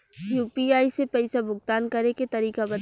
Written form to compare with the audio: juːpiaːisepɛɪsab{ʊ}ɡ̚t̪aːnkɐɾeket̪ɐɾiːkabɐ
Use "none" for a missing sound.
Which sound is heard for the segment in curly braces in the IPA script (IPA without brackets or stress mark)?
ʊ